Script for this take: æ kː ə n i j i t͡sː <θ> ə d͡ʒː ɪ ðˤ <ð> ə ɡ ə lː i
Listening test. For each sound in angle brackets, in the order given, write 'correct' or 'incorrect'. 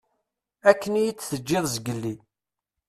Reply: correct, incorrect

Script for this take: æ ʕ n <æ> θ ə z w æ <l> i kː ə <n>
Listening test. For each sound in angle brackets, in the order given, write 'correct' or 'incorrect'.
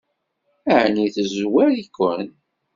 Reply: incorrect, incorrect, correct

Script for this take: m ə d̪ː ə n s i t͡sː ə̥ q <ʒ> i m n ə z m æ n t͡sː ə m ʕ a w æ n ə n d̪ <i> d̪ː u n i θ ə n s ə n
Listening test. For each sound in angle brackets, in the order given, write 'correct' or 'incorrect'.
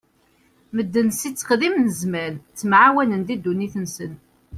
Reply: incorrect, correct

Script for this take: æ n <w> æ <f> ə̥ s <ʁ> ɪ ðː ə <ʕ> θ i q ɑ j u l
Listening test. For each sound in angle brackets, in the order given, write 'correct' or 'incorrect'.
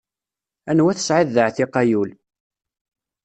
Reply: correct, incorrect, incorrect, correct

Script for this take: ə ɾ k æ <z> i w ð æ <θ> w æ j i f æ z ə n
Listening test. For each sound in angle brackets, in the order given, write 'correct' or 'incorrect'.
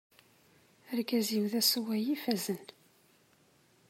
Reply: correct, incorrect

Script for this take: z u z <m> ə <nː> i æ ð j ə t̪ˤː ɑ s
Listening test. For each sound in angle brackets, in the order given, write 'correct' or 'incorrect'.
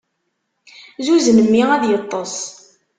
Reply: incorrect, incorrect

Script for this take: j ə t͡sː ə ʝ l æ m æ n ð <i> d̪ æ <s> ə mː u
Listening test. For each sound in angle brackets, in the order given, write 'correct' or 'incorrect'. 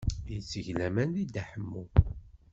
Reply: correct, incorrect

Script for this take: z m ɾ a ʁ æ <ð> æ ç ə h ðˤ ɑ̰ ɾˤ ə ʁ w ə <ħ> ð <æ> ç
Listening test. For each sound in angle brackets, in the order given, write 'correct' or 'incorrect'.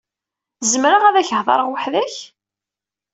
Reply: correct, correct, correct

